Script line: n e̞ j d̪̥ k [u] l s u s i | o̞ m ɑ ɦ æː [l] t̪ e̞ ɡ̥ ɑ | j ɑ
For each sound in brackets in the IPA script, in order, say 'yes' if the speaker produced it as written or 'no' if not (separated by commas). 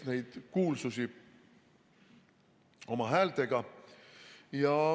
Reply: no, yes